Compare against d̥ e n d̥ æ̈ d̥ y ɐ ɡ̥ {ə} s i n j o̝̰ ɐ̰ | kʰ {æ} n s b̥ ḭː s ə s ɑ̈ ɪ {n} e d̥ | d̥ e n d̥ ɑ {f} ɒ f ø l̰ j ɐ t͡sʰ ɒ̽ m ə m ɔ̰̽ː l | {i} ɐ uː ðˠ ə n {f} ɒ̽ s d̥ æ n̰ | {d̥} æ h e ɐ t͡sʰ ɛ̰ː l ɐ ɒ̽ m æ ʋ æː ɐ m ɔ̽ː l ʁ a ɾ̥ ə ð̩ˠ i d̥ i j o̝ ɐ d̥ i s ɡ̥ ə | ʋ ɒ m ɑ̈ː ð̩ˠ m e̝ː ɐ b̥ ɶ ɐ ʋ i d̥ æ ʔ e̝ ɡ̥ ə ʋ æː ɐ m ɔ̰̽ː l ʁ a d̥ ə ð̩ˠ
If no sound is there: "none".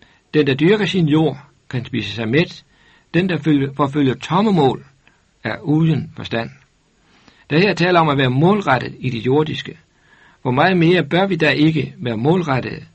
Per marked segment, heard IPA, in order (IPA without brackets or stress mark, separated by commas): ɐ, æ, m, f, æ, f, d̥